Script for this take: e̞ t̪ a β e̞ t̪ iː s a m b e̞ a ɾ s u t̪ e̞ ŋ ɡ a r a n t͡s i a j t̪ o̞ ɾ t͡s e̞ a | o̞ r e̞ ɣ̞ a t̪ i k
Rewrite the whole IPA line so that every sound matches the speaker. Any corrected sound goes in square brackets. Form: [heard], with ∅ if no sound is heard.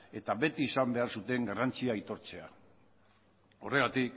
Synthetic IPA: e̞ t̪ a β e̞ t̪ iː s a m b e̞ a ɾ s u t̪ e̞ ŋ ɡ a r a n t͡s i a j t̪ o̞ ɾ t͡s e̞ a | o̞ r e̞ ɣ̞ a t̪ i k

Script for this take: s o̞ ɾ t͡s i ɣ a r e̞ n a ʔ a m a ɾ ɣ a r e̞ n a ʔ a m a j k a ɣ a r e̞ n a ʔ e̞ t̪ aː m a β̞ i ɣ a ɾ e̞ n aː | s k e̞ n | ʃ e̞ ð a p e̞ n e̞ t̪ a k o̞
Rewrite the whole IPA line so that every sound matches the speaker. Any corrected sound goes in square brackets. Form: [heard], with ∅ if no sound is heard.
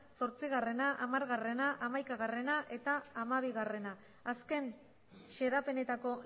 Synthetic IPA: s o̞ ɾ t͡s i ɣ a r e̞ n a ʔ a m a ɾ ɣ a r e̞ n a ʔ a m a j k a ɣ a r e̞ n a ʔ e̞ t̪ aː m a β̞ i ɣ a [r] e̞ n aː | s k e̞ n | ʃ e̞ ð a p e̞ n e̞ t̪ a k o̞

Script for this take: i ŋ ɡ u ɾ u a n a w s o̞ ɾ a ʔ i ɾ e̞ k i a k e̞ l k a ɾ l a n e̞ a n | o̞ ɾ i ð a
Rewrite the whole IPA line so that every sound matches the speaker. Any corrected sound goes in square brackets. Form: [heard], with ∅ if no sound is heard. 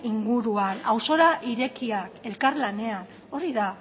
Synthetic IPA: i ŋ ɡ u ɾ u a n a w s o̞ ɾ a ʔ i ɾ e̞ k i a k e̞ l k a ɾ l a n e̞ a n | o̞ ɾ i ð a

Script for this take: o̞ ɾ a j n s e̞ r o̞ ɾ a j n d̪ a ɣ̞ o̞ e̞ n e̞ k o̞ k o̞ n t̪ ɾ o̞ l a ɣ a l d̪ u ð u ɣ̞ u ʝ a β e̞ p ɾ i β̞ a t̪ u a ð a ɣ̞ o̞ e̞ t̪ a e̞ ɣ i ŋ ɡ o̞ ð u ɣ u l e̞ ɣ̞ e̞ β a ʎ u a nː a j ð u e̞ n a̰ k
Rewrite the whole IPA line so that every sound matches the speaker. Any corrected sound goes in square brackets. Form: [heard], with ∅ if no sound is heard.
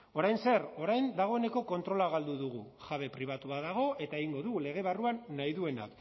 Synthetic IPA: o̞ ɾ a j n s e̞ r o̞ ɾ a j n d̪ a ɣ̞ o̞ e̞ n e̞ k o̞ k o̞ n t̪ ɾ o̞ l a ɣ a l d̪ u ð u ɣ̞ u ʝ a β e̞ p ɾ i β̞ a t̪ u a ð a ɣ̞ o̞ e̞ t̪ a e̞ ɣ i ŋ ɡ o̞ ð u ɣ u l e̞ ɣ̞ e̞ β a [r] u a nː a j ð u e̞ n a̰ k

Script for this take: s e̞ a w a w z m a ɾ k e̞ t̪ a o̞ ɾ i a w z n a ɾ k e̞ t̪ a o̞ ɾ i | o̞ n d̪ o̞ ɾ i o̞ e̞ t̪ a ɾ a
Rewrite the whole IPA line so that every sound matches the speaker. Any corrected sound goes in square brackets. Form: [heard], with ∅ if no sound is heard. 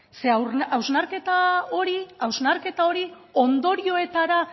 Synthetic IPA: s e̞ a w a w z [n] a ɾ k e̞ t̪ a o̞ ɾ i a w z n a ɾ k e̞ t̪ a o̞ ɾ i | o̞ n d̪ o̞ ɾ i o̞ e̞ t̪ a ɾ a

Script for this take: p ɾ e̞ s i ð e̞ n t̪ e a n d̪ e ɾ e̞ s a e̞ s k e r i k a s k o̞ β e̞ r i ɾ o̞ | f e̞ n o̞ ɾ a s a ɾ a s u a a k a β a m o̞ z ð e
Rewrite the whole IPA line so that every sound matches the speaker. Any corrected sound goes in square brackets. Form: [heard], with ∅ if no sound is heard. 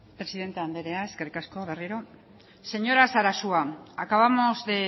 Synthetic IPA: p ɾ e̞ s i ð e̞ n t̪ e a n d̪ e ɾ e̞ [∅] a e̞ s k e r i k a s k o̞ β e̞ r i ɾ o̞ | [s] e̞ [ɲ] o̞ ɾ a s a ɾ a s u a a k a β a m o̞ z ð e

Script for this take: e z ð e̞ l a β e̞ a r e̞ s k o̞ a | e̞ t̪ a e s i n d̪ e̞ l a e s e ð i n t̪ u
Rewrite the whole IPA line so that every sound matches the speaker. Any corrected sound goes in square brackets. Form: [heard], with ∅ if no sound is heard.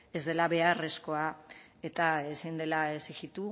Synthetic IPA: e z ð e̞ l a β e̞ a r e̞ s k o̞ a | e̞ t̪ a e s i n d̪ e̞ l a e s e [ɣ] i [∅] t̪ u

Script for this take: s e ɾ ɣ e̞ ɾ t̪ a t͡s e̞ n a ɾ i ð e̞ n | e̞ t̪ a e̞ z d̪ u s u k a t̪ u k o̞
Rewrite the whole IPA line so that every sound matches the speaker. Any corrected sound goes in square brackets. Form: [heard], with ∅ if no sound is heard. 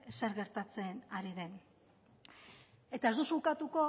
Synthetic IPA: s e ɾ ɣ e̞ ɾ t̪ a t͡s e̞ n a ɾ i ð e̞ n | e̞ t̪ a e̞ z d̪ u s u k a t̪ u k o̞

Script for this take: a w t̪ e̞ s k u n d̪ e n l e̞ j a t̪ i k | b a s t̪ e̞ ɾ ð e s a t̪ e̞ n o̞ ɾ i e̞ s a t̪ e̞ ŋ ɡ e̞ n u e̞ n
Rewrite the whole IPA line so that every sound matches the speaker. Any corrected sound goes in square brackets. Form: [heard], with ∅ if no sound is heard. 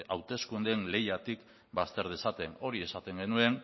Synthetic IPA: a w t̪ e̞ s k u n d̪ e n l e̞ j a t̪ i k | b a s t̪ e̞ ɾ ð e s a t̪ e̞ n o̞ ɾ i e̞ s a t̪ e̞ ŋ ɡ e̞ n u e̞ n

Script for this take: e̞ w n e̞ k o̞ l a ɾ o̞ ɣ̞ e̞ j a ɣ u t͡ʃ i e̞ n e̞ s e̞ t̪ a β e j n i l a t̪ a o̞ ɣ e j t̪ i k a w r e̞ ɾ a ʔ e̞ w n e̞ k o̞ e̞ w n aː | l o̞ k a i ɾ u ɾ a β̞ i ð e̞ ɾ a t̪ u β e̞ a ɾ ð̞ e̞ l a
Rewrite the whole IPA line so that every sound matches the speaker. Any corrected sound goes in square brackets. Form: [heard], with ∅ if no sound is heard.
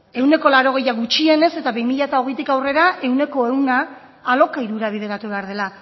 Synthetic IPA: e̞ w n e̞ k o̞ l a ɾ o̞ ɣ̞ e̞ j a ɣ u t͡ʃ i e̞ n e̞ s e̞ t̪ a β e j [m] i [ʎ] a t̪ a o̞ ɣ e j t̪ i k a w r e̞ ɾ a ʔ e̞ w n e̞ k o̞ e̞ w n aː | l o̞ k a i ɾ u ɾ a β̞ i ð e̞ ɾ a t̪ u β e̞ a ɾ ð̞ e̞ l a

